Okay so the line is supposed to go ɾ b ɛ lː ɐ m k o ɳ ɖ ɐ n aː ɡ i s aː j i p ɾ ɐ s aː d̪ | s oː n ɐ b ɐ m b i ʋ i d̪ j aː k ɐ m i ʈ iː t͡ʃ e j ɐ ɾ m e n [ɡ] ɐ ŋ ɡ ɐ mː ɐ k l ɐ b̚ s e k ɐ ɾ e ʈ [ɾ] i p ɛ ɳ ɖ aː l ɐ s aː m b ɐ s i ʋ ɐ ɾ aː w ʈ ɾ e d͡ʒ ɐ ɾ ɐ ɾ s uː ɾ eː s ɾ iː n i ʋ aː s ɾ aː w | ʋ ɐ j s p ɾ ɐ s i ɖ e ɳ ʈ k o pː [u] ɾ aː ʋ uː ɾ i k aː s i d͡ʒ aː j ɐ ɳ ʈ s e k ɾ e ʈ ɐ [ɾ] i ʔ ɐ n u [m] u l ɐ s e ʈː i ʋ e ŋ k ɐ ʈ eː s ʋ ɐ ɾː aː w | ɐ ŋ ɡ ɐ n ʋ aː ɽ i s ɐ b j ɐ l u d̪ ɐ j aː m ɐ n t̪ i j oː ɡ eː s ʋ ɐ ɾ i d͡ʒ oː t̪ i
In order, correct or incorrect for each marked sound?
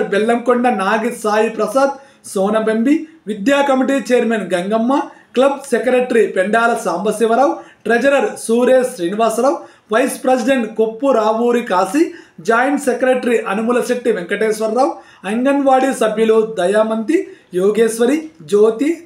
correct, correct, correct, correct, correct

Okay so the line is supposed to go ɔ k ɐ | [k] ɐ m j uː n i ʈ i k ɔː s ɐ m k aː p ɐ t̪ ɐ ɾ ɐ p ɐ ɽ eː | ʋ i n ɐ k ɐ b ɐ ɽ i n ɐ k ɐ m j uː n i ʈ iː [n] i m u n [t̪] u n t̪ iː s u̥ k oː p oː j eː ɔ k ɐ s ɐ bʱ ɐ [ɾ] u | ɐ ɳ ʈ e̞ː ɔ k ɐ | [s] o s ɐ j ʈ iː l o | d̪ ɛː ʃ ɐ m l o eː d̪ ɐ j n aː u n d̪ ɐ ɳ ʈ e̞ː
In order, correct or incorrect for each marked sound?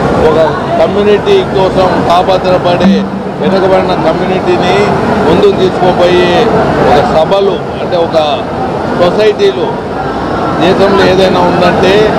correct, correct, incorrect: d̪, incorrect: l, correct

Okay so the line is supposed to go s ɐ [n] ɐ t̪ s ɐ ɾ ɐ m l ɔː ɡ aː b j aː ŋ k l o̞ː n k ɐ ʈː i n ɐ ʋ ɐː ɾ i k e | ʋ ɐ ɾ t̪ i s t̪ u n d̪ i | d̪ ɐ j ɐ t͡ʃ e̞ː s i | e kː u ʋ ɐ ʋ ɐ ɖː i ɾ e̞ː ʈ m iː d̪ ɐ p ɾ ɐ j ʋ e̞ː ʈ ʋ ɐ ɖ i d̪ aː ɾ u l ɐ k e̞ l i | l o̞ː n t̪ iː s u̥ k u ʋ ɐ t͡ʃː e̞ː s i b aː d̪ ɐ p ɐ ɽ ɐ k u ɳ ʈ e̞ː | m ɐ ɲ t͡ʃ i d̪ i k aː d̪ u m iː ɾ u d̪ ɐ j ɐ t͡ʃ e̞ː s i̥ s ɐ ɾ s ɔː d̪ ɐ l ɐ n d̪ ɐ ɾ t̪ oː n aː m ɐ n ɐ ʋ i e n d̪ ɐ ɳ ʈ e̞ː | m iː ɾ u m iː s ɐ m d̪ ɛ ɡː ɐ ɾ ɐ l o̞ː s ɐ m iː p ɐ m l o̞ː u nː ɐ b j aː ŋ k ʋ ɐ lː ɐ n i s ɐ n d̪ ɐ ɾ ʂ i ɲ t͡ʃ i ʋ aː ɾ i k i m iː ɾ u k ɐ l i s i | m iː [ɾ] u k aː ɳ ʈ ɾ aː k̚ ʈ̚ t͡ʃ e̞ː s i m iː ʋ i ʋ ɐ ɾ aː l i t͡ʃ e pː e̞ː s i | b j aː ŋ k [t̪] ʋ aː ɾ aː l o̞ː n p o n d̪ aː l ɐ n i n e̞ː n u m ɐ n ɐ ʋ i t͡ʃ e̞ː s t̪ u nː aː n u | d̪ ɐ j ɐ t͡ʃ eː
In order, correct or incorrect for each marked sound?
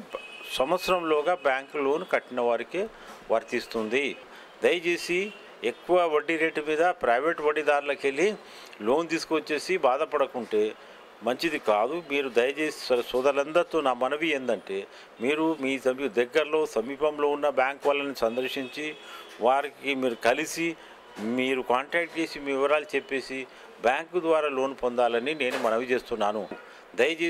incorrect: m, correct, incorrect: d̪

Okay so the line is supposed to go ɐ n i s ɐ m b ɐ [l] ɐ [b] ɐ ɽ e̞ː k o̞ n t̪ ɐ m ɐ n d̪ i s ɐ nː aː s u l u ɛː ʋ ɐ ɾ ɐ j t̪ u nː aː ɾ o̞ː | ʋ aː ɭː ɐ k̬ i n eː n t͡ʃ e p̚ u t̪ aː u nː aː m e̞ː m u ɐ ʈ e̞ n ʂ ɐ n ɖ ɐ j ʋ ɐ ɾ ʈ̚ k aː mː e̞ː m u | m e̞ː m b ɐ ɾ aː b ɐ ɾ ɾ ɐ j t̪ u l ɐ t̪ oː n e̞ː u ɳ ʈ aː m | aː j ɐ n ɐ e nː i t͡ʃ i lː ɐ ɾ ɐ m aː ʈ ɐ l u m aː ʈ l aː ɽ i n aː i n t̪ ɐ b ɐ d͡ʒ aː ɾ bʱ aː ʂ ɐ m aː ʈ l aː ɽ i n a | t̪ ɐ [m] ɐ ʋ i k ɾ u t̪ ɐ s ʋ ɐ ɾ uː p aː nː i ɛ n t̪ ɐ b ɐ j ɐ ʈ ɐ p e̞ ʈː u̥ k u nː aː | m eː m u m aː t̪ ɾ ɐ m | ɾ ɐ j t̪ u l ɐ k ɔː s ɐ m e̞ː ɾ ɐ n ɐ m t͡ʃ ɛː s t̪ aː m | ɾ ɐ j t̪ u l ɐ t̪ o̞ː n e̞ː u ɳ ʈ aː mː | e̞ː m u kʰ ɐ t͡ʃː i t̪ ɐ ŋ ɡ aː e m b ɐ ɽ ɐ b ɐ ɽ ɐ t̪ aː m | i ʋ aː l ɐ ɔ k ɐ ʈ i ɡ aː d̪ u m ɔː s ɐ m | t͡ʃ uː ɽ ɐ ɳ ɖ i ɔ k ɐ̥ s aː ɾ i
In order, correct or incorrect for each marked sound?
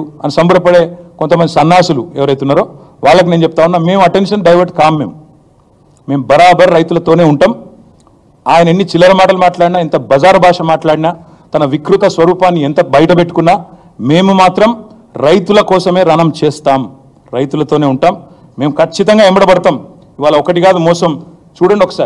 incorrect: ɽ, incorrect: p, incorrect: n

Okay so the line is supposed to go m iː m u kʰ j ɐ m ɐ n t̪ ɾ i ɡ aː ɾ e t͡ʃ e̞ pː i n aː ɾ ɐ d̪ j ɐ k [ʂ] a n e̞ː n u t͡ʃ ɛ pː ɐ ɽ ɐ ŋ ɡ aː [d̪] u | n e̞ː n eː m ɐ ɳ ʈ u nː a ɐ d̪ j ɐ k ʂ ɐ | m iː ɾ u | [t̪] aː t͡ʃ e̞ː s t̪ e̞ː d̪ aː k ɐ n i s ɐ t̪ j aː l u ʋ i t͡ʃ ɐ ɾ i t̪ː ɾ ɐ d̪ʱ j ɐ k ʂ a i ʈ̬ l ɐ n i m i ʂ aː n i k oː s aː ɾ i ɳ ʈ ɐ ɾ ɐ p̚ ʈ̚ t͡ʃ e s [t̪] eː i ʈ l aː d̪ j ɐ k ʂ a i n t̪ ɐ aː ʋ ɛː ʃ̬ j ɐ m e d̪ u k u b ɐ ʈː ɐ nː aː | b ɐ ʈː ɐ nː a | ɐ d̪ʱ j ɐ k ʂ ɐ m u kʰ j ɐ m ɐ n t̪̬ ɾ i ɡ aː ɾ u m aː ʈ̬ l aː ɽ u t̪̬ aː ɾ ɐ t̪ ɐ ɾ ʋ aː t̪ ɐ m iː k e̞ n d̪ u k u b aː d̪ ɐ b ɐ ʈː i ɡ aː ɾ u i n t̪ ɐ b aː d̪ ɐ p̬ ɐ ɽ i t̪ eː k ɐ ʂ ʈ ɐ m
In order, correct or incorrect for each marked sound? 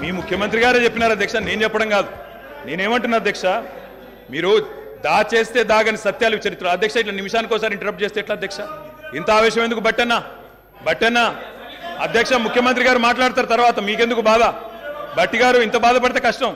correct, correct, incorrect: d̪, correct

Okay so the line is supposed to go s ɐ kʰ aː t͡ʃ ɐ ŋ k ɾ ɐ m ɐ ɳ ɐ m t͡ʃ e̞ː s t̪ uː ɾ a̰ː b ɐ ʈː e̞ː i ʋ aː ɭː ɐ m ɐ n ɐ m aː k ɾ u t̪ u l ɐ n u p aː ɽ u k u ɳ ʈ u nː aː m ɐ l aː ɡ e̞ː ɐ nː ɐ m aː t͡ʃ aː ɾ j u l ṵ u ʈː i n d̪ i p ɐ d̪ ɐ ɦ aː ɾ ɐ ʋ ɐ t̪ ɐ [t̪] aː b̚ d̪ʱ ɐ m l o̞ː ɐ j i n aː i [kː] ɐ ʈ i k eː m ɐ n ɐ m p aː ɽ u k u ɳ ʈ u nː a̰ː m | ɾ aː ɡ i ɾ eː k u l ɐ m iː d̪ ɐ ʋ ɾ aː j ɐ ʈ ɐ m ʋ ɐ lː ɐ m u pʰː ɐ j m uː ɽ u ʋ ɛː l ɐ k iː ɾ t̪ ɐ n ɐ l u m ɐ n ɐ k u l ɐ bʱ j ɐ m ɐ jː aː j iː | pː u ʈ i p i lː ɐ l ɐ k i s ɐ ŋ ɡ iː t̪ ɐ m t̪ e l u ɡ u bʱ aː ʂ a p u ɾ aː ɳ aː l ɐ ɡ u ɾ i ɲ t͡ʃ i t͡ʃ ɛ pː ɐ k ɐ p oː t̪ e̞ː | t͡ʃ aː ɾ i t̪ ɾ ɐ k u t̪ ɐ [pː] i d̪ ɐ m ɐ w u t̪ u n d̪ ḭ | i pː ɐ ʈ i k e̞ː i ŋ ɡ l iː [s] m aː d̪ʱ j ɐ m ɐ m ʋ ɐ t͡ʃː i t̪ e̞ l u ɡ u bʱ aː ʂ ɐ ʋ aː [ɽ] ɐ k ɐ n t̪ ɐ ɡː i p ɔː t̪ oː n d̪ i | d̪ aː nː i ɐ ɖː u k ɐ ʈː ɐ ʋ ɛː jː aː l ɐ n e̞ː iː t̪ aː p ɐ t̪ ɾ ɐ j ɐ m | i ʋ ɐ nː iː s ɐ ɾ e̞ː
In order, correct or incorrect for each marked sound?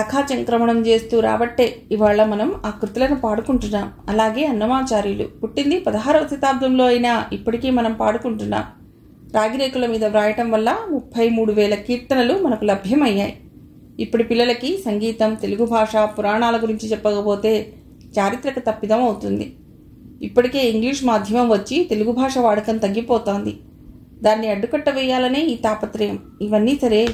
correct, incorrect: pː, correct, incorrect: ʂ, correct

